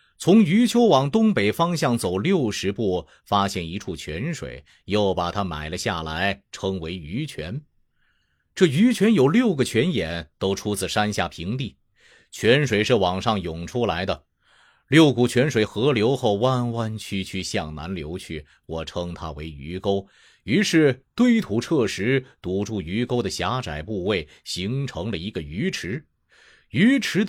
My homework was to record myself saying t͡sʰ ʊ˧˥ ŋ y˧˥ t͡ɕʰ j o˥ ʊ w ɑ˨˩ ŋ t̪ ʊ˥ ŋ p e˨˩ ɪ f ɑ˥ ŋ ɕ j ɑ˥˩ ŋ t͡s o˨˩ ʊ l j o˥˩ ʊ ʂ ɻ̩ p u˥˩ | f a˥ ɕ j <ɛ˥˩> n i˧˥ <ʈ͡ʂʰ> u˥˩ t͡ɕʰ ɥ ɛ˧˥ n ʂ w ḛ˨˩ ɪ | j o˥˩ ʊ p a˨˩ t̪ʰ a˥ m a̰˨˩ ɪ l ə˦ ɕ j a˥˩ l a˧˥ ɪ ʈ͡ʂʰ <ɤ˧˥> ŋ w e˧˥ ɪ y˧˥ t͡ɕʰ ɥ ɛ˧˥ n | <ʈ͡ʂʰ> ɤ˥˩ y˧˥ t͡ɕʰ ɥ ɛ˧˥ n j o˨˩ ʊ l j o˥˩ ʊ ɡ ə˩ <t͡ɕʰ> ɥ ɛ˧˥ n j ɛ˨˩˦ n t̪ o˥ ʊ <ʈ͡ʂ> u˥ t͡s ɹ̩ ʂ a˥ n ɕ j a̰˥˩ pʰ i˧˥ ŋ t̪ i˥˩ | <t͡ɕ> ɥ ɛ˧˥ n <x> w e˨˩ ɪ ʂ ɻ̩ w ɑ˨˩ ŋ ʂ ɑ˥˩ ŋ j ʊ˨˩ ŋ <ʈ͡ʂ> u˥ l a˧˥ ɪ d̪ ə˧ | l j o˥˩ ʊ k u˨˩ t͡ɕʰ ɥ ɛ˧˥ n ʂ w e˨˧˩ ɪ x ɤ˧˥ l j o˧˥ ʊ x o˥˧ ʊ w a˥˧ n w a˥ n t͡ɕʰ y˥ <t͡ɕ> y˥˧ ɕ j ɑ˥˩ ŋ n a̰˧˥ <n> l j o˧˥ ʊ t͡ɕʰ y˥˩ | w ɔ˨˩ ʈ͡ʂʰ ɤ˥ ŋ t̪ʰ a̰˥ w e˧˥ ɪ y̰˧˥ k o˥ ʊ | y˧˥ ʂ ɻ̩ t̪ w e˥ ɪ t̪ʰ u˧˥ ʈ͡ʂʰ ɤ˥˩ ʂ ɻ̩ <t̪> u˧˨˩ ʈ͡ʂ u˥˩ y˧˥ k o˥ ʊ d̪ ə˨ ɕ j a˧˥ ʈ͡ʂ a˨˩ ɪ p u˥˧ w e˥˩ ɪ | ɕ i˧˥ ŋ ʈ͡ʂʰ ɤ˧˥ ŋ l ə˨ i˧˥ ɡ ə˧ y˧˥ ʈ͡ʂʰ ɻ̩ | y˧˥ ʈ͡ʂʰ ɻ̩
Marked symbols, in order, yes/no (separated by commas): yes, yes, no, no, yes, no, no, no, no, no, yes, yes